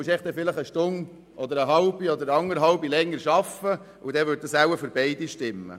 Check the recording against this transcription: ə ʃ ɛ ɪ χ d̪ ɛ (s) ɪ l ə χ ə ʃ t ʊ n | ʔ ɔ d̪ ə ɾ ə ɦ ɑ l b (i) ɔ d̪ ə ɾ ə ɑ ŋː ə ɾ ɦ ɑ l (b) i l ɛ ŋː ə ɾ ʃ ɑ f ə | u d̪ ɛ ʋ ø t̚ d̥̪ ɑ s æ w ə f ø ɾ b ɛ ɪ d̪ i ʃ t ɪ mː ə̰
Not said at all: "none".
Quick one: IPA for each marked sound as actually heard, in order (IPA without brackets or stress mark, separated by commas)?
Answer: f, i, b